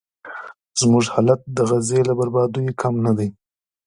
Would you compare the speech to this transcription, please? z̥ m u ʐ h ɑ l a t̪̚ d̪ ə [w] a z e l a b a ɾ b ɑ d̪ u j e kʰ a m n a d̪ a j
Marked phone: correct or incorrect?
incorrect